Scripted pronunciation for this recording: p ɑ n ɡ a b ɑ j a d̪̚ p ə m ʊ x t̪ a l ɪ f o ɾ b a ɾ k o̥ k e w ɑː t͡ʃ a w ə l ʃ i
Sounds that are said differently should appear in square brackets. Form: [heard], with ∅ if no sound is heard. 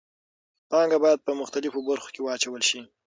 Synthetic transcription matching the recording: p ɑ [ŋ] ɡ a b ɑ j a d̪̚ p ə m ʊ x t̪ a l ɪ f o [∅] b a ɾ [x] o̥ k e w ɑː t͡ʃ a w ə l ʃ i